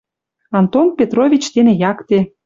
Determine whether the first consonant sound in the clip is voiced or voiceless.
voiced